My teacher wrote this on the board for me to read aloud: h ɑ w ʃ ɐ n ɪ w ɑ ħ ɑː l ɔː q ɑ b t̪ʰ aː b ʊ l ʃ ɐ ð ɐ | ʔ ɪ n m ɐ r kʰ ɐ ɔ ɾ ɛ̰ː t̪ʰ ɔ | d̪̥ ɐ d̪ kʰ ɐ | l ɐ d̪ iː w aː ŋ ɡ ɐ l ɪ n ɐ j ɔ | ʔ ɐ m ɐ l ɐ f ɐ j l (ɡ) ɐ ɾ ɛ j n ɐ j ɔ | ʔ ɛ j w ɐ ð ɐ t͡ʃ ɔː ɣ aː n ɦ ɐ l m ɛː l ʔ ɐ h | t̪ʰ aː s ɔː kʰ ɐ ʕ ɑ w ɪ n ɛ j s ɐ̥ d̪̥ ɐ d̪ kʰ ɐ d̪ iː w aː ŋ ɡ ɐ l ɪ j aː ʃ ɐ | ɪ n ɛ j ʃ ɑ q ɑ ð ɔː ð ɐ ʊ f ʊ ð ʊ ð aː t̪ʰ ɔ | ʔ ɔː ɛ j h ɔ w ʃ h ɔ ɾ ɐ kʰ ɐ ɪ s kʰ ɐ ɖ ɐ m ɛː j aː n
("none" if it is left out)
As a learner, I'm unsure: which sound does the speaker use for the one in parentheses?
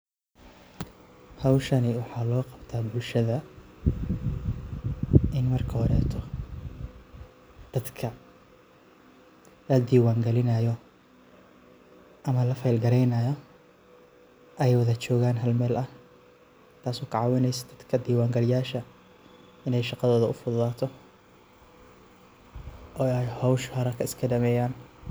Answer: ɡ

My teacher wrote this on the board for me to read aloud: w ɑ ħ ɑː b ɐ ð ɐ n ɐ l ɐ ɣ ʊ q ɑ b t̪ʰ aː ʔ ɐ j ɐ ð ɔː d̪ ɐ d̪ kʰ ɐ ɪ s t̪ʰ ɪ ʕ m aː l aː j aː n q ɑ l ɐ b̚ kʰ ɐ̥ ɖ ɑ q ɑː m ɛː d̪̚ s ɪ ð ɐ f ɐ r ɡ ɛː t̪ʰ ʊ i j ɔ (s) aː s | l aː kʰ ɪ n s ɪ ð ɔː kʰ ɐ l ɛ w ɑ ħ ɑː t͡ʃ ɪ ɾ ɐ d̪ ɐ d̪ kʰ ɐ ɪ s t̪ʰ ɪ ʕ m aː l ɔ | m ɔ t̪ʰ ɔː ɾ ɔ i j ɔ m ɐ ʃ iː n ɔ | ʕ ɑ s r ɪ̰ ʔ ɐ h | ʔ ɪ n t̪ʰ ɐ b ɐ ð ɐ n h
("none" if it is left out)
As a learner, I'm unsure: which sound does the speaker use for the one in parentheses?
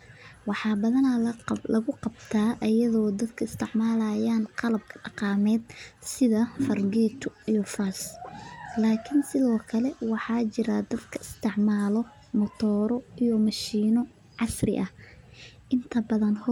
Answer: f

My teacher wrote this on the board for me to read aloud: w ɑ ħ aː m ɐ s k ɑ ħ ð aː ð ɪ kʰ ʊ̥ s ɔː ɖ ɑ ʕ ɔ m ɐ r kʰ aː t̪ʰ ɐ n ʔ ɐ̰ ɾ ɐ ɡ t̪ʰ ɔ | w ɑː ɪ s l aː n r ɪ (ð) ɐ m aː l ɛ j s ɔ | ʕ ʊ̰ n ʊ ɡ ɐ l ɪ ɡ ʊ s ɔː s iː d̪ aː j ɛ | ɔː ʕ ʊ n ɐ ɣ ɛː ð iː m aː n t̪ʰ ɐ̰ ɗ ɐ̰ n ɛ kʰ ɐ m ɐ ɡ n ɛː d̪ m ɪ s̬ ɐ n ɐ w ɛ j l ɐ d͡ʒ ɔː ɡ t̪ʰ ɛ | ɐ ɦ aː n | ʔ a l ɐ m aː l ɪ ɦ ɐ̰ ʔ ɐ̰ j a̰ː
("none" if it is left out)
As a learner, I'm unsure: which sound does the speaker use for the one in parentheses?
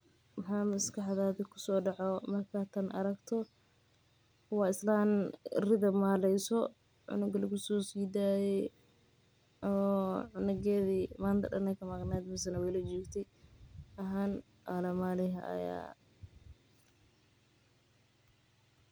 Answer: ð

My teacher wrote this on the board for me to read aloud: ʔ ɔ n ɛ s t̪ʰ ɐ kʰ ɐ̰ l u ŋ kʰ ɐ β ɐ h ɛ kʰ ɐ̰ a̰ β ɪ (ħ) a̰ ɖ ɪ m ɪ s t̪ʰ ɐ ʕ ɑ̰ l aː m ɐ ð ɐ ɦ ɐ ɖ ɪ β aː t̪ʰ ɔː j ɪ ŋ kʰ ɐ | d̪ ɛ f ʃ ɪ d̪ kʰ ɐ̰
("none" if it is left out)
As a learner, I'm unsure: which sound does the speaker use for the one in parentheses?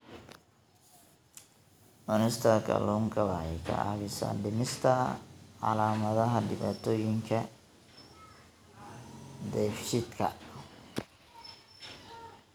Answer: s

